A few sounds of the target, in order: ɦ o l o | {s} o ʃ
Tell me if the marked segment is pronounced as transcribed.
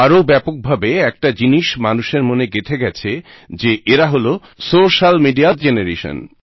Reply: yes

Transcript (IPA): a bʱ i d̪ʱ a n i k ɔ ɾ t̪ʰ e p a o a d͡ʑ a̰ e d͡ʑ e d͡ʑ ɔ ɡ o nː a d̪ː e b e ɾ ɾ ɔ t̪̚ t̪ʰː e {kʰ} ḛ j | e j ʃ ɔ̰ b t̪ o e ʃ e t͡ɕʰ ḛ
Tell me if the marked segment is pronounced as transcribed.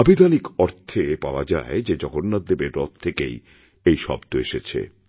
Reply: no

